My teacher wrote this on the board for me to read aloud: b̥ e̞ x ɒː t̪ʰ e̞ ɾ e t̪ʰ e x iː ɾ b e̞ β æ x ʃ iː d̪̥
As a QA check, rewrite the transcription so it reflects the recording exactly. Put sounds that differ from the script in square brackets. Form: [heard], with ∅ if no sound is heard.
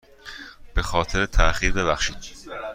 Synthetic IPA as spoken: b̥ e̞ x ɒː t̪ʰ e̞ ɾ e t̪ʰ [æ] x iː ɾ b e̞ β æ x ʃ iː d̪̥